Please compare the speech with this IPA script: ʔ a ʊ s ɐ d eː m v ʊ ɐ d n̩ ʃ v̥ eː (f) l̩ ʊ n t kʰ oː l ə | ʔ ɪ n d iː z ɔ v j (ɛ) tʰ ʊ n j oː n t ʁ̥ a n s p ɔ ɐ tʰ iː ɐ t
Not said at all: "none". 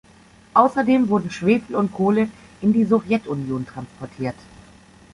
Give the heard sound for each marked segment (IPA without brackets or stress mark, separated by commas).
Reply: f, ɛ